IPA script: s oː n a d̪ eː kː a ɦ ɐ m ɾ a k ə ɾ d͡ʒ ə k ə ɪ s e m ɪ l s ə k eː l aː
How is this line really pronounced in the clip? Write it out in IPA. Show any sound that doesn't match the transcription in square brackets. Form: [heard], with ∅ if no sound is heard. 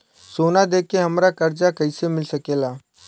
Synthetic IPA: s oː n a d̪ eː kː [e] ɦ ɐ m ɾ a k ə ɾ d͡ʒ [a] k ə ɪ s e m ɪ l s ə k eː l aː